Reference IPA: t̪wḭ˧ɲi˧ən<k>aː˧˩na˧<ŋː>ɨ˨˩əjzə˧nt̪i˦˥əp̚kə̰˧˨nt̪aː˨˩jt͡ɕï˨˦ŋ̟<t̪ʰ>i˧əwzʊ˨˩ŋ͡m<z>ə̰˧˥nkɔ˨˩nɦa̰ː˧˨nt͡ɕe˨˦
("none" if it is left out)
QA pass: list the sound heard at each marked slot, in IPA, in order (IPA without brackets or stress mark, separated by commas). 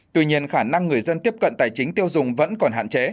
x, ŋː, t̪, v